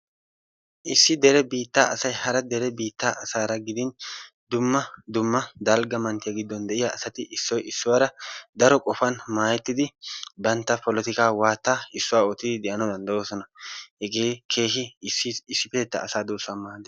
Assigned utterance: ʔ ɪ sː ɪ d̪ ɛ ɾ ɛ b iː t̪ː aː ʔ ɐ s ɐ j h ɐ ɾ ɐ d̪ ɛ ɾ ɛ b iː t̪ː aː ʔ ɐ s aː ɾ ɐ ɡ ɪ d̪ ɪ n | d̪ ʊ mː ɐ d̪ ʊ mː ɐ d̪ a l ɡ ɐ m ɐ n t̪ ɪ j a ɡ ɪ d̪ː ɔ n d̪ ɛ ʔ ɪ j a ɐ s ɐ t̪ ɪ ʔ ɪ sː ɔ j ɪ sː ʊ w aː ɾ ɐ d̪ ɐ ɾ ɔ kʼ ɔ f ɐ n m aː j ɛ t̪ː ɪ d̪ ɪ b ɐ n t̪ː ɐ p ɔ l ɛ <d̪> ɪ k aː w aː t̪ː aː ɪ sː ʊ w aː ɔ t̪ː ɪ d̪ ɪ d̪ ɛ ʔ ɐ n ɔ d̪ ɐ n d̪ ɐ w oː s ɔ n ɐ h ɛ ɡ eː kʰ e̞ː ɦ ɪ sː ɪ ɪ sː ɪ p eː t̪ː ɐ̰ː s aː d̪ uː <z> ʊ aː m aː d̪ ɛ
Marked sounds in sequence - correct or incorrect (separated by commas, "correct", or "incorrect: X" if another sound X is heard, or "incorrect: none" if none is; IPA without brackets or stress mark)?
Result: incorrect: t̪, incorrect: s